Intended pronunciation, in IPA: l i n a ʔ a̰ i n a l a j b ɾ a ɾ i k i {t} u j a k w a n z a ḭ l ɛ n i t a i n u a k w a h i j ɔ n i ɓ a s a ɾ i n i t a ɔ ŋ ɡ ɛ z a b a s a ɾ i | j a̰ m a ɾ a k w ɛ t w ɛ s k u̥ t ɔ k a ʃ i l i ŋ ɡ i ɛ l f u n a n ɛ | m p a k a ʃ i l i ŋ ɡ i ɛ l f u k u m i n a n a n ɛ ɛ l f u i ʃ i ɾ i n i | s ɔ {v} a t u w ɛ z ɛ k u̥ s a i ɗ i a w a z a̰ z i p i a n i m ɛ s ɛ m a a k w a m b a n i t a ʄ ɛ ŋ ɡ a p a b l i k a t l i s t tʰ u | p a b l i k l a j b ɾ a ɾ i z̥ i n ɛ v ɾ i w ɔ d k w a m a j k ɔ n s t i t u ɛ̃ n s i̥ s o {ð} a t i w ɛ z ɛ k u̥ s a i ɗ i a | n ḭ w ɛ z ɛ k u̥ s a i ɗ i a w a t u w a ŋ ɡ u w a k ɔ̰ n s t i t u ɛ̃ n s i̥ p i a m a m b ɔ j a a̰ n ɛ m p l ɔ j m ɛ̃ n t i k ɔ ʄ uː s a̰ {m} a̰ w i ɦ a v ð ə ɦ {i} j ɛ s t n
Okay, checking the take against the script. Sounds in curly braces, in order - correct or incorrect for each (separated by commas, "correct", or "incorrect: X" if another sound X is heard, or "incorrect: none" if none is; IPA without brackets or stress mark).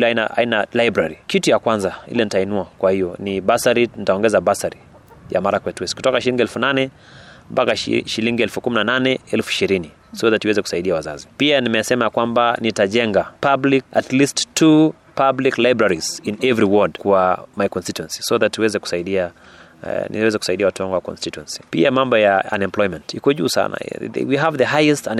correct, incorrect: ð, correct, incorrect: n, incorrect: a